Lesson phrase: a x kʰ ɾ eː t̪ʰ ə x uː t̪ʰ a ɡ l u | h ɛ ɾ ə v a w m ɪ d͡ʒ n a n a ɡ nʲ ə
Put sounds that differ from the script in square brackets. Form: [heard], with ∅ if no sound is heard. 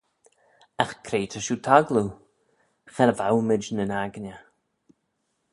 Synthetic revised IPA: a x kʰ ɾ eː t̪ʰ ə [ʃ] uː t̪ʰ a ɡ l u | [x] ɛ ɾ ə v a w m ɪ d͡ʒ n [ə] n a ɡ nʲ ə